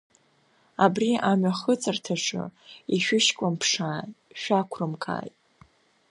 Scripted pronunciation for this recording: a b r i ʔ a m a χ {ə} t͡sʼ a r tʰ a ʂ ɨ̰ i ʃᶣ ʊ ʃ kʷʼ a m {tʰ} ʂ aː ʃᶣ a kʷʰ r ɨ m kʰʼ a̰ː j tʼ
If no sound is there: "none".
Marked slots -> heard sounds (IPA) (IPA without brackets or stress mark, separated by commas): ə, pʰ